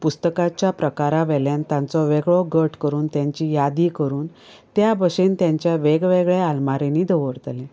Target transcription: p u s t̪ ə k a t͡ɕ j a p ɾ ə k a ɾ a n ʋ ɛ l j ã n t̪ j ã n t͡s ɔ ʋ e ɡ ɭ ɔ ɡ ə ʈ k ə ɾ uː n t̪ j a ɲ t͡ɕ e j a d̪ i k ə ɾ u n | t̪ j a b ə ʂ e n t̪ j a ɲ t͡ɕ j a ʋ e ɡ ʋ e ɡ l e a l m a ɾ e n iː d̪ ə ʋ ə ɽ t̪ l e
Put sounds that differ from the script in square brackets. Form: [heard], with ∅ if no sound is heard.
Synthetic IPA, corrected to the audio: p u s t̪ ə k a t͡ɕ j a p ɾ ə k a ɾ a [∅] ʋ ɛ l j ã n t̪ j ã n t͡s ɔ ʋ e ɡ ɭ ɔ ɡ ə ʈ k ə ɾ uː n t̪ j a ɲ t͡ɕ [i] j a d̪ i k ə ɾ [uː] n | t̪ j a b ə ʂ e n t̪ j a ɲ t͡ɕ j a ʋ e ɡ ʋ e ɡ [ɭ] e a l m a ɾ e n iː d̪ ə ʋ ə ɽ t̪ l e